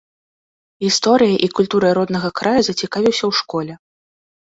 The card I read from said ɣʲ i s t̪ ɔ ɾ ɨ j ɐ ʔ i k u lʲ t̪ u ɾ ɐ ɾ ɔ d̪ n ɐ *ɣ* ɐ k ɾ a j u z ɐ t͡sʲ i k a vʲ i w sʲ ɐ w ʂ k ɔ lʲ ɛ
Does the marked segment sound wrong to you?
no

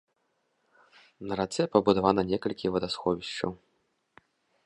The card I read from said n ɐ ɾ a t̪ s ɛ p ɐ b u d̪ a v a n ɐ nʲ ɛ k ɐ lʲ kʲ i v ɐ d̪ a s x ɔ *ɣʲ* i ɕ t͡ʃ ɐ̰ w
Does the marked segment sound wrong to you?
yes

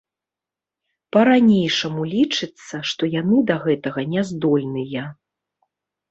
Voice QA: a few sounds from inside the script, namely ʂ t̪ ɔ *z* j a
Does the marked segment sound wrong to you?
yes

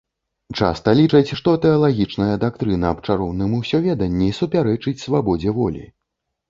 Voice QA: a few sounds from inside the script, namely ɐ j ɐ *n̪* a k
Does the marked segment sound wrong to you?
yes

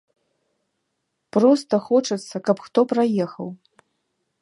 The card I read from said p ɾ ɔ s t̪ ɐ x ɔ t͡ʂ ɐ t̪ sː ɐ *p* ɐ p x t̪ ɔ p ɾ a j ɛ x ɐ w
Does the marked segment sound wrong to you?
yes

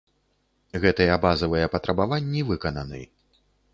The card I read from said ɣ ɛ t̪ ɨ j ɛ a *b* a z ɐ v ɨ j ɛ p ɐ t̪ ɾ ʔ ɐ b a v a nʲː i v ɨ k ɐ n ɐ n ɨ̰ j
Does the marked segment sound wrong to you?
no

